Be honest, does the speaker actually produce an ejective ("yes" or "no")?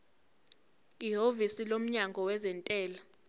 yes